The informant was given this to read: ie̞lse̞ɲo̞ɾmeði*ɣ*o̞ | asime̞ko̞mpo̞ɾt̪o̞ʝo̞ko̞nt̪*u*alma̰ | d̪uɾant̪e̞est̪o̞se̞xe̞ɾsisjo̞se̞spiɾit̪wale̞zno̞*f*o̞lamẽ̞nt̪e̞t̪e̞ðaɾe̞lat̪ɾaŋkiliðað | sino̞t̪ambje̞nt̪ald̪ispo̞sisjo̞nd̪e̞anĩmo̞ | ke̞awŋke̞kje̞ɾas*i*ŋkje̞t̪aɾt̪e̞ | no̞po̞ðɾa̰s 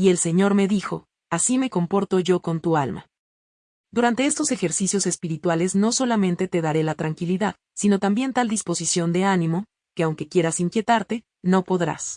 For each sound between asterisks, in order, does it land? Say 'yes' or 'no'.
no, yes, no, yes

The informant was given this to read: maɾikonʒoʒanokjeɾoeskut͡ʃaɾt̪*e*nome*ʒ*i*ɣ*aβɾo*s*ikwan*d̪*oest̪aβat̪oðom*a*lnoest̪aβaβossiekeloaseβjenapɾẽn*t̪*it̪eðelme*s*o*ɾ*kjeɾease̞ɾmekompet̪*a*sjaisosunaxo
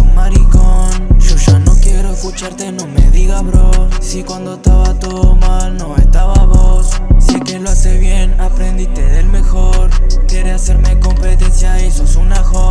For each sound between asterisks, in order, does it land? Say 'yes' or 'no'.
yes, no, yes, yes, yes, yes, no, no, yes, no

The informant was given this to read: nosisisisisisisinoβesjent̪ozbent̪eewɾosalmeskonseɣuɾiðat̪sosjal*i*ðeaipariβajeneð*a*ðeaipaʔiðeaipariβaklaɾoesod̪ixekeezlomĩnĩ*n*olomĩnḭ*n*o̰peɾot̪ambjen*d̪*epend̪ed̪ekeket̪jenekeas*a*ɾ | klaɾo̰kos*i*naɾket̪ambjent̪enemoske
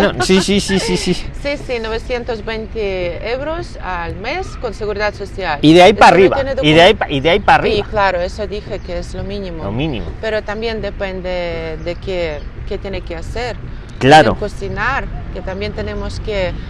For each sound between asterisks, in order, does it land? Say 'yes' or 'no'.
yes, no, no, no, yes, no, yes

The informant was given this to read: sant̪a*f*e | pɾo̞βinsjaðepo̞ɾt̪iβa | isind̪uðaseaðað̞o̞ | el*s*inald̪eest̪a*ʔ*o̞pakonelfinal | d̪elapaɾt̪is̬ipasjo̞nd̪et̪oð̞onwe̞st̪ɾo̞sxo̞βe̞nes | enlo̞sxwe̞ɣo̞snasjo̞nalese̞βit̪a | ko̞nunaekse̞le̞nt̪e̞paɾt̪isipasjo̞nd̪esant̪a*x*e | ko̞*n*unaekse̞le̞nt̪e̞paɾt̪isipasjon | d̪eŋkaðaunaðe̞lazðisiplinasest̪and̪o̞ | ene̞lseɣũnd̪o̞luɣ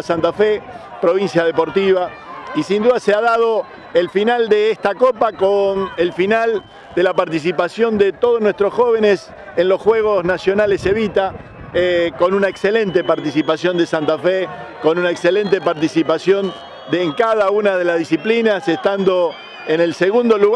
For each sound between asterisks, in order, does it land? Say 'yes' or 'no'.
yes, no, no, no, yes

